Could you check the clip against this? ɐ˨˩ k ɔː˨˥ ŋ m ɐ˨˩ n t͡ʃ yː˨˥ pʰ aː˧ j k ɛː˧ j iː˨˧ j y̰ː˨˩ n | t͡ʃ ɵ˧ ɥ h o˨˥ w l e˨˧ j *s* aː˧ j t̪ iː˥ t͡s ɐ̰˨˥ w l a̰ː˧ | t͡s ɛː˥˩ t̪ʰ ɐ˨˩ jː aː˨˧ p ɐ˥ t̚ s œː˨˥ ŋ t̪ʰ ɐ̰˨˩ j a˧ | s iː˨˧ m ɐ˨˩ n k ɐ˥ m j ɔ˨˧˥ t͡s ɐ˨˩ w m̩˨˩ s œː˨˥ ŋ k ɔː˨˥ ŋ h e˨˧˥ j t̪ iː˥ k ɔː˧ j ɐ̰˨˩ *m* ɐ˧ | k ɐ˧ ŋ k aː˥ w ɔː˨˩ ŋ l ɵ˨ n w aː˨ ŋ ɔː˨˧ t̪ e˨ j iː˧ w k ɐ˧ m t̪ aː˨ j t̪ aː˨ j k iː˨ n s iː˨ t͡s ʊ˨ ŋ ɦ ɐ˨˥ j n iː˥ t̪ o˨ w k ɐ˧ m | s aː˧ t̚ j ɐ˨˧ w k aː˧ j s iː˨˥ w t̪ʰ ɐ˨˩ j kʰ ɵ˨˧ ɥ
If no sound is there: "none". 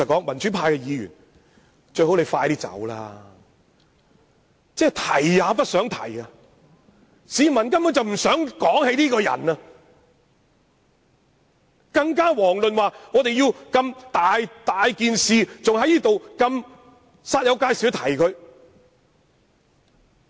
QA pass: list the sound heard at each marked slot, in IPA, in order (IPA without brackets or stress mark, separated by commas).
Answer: f, n